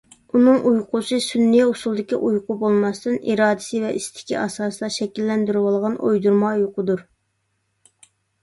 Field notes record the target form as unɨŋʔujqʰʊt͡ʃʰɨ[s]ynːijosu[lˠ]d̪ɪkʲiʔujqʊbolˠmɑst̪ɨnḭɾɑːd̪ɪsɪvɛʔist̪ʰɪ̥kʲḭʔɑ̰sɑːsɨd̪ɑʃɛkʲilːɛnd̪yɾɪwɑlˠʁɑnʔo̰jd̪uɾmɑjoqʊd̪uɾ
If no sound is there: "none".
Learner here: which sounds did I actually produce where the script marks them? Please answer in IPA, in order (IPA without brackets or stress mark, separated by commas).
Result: s, lˠ